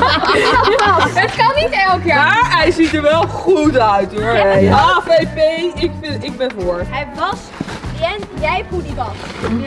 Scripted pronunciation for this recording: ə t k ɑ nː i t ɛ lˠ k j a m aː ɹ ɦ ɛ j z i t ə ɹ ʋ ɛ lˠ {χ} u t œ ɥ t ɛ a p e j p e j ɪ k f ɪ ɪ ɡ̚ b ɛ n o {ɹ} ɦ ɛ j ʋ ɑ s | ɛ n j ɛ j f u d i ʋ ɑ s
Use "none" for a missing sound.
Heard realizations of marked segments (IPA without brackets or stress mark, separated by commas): χ, ɹ